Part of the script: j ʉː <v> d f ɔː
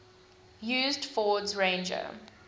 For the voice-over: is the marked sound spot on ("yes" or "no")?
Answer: no